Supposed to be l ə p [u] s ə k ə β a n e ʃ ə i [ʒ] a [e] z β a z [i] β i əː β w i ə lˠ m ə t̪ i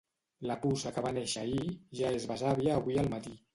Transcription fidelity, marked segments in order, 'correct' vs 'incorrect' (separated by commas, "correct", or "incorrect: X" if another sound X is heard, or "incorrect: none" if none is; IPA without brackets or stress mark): correct, correct, correct, incorrect: a